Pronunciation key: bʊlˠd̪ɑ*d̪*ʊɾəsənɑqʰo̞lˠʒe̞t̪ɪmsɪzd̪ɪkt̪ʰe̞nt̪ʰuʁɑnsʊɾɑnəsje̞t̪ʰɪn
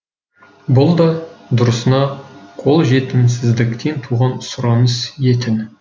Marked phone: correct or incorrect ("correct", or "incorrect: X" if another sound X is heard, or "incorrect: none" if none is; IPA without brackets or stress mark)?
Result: correct